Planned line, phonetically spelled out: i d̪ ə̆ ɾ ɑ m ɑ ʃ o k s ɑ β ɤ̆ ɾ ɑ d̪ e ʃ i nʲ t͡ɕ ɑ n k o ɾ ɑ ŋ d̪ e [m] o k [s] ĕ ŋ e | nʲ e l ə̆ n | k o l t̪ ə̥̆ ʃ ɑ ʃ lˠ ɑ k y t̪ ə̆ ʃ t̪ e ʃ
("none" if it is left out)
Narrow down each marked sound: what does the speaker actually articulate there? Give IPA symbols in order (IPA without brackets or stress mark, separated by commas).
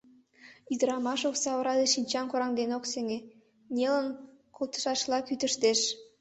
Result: n, s